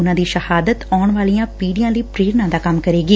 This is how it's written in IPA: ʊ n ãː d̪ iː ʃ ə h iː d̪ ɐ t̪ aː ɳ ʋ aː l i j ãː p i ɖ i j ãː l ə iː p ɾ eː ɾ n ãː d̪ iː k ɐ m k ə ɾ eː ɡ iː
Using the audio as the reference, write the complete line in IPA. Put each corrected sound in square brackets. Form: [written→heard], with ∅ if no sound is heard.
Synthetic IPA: ʊ n ãː d̪ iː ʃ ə h [iː→aː] d̪ [ɐ→ə] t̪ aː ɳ ʋ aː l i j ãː p [i→iː] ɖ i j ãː l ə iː p ɾ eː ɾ n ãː d̪ [iː→aː] k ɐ m k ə ɾ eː ɡ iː